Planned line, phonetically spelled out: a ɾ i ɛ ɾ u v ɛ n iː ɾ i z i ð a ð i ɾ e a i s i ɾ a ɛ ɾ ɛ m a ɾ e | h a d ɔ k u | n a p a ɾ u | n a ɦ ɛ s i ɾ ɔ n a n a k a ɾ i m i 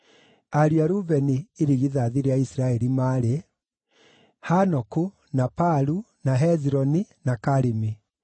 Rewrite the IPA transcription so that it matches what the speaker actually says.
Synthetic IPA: a ɾ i a ɾ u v ɛ n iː ɾ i ɣ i ð a ð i ɾ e a i s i ɾ a ɛ ɾ i m a ɾ e | h a n ɔ k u | n a p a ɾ u | n a ɦ ɛ z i ɾ ɔ n i n a k a ɾ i m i